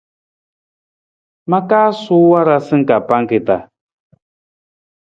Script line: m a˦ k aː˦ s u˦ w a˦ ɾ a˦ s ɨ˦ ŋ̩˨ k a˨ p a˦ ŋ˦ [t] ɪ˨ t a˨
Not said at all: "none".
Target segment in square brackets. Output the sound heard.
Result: k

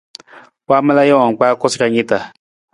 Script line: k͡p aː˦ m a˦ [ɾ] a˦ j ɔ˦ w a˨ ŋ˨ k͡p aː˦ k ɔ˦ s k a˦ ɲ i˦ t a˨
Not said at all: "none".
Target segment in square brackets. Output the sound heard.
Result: l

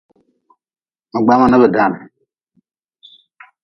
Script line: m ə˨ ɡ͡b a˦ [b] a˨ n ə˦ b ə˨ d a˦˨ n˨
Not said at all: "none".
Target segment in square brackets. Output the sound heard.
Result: m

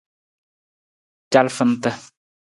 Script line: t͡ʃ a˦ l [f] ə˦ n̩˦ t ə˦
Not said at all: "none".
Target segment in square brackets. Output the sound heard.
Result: f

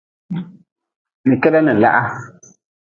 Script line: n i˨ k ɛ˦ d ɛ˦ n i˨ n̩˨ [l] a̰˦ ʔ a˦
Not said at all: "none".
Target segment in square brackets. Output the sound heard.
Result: l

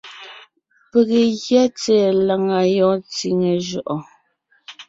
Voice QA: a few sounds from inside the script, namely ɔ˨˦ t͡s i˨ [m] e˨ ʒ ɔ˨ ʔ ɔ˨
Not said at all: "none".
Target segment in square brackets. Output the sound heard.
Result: ŋ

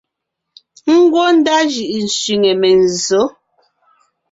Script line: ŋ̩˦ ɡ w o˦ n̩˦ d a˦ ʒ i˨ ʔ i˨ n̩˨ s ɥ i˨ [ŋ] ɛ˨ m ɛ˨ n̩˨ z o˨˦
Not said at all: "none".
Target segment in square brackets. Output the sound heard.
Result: ŋ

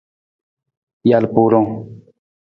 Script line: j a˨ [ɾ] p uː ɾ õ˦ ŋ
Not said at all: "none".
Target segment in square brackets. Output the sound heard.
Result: l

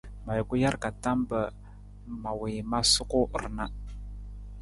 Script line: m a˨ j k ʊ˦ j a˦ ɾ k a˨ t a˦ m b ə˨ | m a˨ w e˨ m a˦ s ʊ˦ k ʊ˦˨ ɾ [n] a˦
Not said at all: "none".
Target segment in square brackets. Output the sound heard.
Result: n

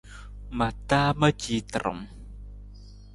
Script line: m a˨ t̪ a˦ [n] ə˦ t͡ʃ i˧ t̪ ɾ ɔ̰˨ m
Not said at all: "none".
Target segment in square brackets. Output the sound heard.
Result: m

